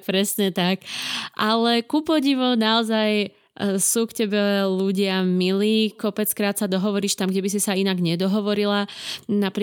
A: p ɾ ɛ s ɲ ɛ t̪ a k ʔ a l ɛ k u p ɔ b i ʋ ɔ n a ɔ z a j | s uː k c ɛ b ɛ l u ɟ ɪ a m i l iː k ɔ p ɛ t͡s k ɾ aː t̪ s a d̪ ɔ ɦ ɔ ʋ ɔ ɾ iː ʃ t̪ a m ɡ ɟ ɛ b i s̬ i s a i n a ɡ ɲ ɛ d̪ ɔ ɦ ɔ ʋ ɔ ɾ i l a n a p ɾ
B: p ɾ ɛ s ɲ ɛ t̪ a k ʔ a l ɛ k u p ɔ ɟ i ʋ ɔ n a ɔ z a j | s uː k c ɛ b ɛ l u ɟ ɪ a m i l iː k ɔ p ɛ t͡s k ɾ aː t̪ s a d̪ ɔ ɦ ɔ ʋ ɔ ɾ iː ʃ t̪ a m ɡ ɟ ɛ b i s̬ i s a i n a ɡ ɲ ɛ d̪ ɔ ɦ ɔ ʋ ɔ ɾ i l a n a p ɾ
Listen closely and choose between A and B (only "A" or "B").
B